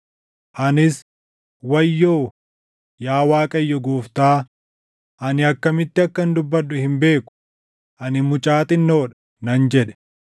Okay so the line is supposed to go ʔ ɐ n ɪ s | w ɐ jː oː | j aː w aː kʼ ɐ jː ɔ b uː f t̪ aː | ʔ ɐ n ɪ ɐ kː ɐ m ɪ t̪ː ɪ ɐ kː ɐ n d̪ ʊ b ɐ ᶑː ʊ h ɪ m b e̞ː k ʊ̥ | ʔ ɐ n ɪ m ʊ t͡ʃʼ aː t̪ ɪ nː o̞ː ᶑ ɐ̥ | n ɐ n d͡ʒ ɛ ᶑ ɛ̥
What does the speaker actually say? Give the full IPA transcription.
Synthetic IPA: ʔ ɐ n ɪ s | w ɐ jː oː | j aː w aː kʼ ɐ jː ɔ ɡ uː f t̪ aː | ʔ ɐ n ɪ ɐ kː ɐ m ɪ t̪ː ɪ ɐ kː ɐ n d̪ ʊ bː ɐ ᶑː ʊ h ɪ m b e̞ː k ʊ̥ | ʔ ɐ n ɪ m ʊ t͡ʃʼ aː t̪ ɪ nː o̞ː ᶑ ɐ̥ | n ɐ n d͡ʒ ɛ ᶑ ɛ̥

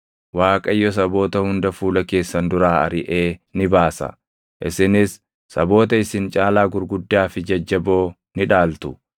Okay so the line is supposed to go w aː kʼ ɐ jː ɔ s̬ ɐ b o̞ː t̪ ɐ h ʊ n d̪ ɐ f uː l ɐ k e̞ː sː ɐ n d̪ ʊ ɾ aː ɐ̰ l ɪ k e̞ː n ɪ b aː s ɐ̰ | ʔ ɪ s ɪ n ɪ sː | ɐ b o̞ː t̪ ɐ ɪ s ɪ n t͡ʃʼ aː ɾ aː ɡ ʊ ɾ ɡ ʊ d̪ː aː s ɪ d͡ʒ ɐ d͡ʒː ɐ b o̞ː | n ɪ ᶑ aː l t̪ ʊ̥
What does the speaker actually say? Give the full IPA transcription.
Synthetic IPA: w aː kʼ ɐ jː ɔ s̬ ɐ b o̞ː t̪ ɐ h ʊ n d̪ ɐ f uː l ɐ k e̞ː sː ɐ n d̪ ʊ ɾ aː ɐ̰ ɾ ɪ ʔ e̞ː n ɪ b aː s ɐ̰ | ʔ ɪ s ɪ n ɪ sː | ɐ b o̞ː t̪ ɐ ɪ s ɪ n t͡ʃʼ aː l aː ɡ ʊ ɾ ɡ ʊ d̪ː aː f ɪ d͡ʒ ɐ d͡ʒː ɐ b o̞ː | n ɪ ᶑ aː l t̪ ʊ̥

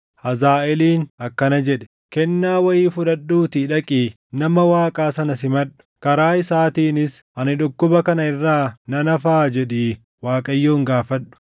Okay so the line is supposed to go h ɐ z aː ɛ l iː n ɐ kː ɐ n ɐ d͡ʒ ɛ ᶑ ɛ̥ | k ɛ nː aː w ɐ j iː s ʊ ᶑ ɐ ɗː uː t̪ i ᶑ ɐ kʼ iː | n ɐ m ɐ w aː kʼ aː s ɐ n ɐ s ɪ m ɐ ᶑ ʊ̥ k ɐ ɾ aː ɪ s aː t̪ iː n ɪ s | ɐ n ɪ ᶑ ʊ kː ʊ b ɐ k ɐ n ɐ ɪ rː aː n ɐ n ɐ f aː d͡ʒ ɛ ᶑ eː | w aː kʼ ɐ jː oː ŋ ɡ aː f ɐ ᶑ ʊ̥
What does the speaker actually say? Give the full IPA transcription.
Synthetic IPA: h ɐ z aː ɛ l iː n ɐ kː ɐ n ɐ d͡ʒ ɛ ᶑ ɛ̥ | k ɛ nː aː w ɐ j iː f ʊ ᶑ ɐ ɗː uː t̪ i ᶑ ɐ kʼ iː | n ɐ m ɐ w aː kʼ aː s ɐ n ɐ s ɪ m ɐ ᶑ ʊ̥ k ɐ ɾ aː ɪ s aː t̪ iː n ɪ s | ɐ n ɪ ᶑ ʊ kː ʊ b ɐ k ɐ n ɐ ɪ rː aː n ɐ n ɐ f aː d͡ʒ ɛ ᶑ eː | w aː kʼ ɐ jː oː ŋ ɡ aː f ɐ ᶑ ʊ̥

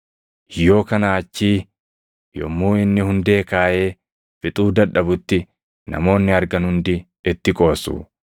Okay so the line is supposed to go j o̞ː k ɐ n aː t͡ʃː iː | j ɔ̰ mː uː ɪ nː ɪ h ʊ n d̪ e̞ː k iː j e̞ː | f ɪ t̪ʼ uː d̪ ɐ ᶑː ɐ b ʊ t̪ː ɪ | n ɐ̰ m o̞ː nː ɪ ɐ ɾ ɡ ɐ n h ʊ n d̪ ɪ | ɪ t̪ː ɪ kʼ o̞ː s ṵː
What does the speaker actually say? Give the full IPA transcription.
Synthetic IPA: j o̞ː k ɐ n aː t͡ʃː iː | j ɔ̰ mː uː ɪ nː ɪ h ʊ n d̪ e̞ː k aː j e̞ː | f ɪ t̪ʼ uː d̪ ɐ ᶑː ɐ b ʊ t̪ː ɪ | n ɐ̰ m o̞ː nː ɪ ɐ ɾ ɡ ɐ n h ʊ n d̪ ɪ | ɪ t̪ː ɪ kʼ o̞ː s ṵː

